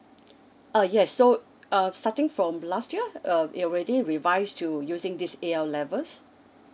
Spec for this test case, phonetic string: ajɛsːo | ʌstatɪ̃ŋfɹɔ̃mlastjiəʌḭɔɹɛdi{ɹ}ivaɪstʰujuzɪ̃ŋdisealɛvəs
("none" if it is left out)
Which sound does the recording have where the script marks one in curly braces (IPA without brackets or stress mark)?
ɹ